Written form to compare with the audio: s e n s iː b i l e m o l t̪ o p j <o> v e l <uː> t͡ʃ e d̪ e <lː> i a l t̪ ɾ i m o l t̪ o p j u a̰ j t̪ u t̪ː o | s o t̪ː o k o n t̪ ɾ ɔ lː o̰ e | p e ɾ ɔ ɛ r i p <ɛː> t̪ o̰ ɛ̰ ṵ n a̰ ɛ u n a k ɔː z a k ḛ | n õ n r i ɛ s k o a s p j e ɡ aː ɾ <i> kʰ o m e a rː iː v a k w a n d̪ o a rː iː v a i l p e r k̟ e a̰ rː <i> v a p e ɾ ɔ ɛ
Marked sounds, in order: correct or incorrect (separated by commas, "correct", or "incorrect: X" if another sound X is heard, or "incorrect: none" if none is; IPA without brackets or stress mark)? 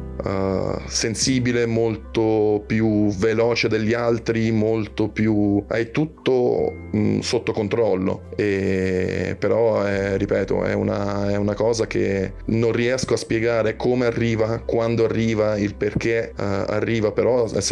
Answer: incorrect: u, incorrect: ɔː, incorrect: ʎː, correct, incorrect: e, incorrect: iː